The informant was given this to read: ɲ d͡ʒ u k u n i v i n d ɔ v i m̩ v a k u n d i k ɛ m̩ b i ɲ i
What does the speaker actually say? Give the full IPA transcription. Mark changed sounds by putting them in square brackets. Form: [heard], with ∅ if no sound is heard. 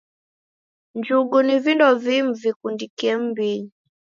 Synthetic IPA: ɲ d͡ʒ u [ɡ] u n i v i n d ɔ v i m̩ v [i] k u n d i k ɛ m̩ b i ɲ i